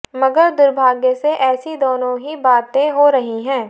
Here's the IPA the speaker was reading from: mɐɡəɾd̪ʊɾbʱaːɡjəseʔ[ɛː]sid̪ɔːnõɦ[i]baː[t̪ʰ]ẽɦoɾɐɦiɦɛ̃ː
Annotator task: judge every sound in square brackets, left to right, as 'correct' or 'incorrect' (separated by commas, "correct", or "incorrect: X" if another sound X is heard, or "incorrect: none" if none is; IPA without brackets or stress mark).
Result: correct, correct, incorrect: t̪